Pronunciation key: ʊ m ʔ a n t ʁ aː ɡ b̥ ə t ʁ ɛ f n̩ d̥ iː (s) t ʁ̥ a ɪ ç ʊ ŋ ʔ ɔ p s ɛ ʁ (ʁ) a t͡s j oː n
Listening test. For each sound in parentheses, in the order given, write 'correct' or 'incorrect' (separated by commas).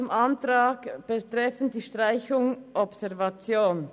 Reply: incorrect, incorrect